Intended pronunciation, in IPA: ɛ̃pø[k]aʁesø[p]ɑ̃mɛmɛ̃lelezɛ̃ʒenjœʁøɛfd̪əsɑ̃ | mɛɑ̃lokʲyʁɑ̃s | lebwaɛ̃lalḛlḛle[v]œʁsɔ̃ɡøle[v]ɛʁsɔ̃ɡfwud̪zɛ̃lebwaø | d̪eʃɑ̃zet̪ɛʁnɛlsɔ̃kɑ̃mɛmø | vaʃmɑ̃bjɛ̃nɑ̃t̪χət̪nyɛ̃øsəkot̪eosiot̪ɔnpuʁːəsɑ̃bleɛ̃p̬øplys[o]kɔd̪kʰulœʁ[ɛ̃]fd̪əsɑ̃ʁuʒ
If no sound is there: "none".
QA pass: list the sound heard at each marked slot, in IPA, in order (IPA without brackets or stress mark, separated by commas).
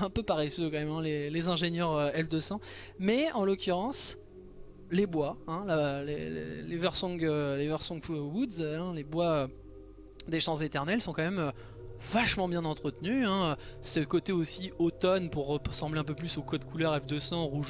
p, k, v, v, o, ɛ